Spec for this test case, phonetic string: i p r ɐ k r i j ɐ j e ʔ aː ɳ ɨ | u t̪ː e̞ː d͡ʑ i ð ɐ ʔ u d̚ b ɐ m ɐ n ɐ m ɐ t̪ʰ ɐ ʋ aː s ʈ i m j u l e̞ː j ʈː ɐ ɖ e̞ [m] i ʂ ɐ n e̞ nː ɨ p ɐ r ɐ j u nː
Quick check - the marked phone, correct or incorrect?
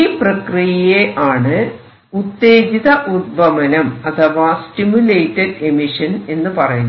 correct